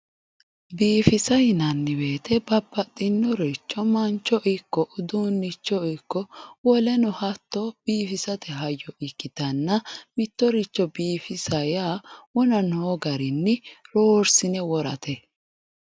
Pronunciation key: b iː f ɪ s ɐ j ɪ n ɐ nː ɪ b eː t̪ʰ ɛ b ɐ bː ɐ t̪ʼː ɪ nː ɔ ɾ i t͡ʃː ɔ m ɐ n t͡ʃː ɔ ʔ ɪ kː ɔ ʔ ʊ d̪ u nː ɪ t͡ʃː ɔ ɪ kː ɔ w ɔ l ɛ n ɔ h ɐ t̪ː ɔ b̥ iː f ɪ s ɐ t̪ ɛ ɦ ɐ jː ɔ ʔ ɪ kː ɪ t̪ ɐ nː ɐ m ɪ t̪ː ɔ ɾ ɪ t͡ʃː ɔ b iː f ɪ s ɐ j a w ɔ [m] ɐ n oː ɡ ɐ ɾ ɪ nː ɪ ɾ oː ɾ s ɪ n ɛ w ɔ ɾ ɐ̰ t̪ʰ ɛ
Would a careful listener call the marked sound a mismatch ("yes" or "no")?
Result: yes